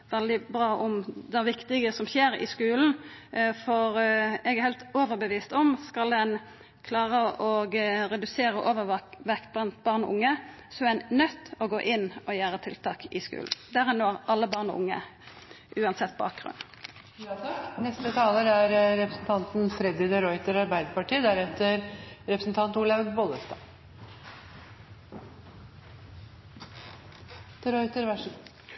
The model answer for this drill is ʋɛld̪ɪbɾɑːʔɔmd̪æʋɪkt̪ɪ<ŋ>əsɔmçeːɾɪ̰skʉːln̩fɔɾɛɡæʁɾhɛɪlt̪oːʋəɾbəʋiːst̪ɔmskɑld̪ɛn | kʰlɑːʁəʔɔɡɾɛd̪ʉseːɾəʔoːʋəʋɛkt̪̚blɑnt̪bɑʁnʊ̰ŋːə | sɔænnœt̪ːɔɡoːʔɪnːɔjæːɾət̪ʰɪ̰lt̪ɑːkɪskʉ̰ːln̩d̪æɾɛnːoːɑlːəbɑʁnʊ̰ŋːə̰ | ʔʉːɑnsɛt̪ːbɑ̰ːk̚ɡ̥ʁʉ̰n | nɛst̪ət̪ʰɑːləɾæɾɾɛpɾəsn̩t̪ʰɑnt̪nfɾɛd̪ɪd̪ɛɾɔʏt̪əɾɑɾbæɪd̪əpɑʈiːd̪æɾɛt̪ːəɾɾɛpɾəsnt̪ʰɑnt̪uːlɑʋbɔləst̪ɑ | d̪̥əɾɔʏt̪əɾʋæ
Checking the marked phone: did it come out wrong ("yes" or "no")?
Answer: yes